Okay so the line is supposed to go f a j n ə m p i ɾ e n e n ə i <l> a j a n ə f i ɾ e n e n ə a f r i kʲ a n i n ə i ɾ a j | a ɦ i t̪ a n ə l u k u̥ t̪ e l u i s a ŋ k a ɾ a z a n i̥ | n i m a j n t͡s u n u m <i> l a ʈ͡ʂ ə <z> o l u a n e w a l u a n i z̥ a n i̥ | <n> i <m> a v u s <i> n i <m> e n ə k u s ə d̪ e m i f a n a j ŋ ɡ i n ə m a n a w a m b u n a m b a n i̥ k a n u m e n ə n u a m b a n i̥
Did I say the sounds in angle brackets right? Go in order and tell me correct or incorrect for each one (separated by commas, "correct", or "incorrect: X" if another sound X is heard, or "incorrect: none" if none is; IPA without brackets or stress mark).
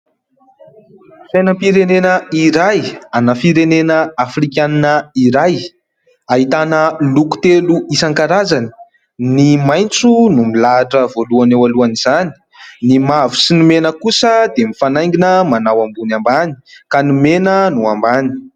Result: incorrect: ɾ, correct, incorrect: v, correct, correct, correct, correct